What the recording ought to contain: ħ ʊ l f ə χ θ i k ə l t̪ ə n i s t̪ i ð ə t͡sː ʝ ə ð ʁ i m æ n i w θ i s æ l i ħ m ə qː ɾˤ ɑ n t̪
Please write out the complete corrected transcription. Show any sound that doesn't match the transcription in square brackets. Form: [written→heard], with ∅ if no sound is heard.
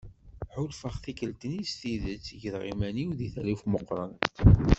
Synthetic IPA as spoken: ħ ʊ l f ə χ θ i k ə l t̪ ə n i s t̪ i ð ə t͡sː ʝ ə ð ʁ i m æ n i w [θ→ð] i [s→θ] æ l i [ħ→f] m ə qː ɾˤ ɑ n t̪

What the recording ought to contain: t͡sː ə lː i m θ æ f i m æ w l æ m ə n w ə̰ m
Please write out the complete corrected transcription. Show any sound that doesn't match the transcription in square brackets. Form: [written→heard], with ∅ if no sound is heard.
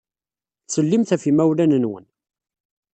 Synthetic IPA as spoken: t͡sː ə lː i m θ æ f i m æ w l æ [m→n] ə n w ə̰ [m→n]

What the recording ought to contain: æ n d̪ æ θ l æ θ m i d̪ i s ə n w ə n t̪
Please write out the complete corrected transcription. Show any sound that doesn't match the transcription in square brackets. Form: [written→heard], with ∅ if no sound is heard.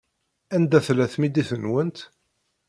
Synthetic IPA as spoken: æ n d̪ æ θ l æ θ m i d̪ i [s→θ] ə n w ə n t̪

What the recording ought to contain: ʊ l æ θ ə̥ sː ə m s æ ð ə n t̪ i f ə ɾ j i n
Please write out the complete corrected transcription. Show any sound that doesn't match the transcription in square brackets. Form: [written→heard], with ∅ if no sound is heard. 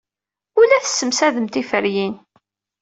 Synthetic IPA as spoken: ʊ l æ θ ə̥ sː ə m s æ ð ə [n→m] t̪ i f ə ɾ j i n

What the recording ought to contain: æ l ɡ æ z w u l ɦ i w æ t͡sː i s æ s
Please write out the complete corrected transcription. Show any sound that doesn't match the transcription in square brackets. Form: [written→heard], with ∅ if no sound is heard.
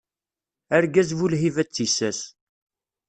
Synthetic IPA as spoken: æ [l→ɾ] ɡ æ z [w→v] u l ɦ i [w→v] æ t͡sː i s æ s

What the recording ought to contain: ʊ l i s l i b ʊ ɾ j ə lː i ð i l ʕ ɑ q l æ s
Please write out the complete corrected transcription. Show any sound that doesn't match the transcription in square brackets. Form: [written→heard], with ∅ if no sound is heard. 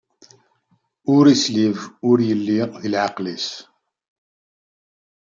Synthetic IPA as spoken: ʊ [l→ɾ] i s l i [b→v] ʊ ɾ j ə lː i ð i l ʕ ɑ q l [æ→i] s

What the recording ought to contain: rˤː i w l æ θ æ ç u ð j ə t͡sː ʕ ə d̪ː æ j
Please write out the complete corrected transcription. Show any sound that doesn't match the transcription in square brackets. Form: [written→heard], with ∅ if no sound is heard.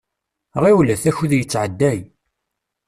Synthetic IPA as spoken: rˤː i w l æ θ æ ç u ð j ə t͡sː ʕ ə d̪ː æ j

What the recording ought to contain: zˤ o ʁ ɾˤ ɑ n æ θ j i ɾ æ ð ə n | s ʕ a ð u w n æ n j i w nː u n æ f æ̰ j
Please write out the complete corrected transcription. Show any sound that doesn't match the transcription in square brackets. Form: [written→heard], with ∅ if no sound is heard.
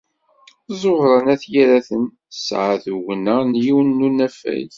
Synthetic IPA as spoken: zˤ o ʁ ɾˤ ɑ n æ θ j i ɾ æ [ð→θ] ə n | s ʕ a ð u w n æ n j i w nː u n æ f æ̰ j

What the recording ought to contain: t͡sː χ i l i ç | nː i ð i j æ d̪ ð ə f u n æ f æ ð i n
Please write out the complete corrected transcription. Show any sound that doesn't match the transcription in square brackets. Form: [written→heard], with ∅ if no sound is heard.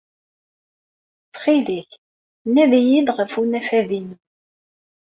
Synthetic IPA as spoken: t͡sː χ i l i ç | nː [i→æ] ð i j [æ→i] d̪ [ð→ʁ] ə f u n æ f æ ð i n

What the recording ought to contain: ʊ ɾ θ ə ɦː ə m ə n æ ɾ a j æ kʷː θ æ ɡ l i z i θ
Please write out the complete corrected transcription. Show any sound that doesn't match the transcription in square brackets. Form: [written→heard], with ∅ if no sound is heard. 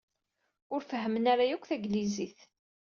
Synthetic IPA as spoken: ʊ ɾ [θ→f] ə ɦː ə m ə n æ ɾ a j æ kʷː θ æ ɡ l i z i θ

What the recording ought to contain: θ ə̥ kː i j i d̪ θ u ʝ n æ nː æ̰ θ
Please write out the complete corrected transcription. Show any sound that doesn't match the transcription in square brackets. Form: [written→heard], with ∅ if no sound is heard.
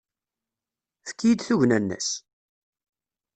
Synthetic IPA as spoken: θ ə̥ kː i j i d̪ θ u ʝ n æ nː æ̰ [θ→s]

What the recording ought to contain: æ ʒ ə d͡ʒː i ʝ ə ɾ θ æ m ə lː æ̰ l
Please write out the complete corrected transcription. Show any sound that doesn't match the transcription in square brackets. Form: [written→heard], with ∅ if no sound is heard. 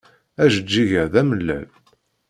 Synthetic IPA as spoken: æ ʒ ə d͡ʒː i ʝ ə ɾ [θ→ð] æ m ə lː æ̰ l

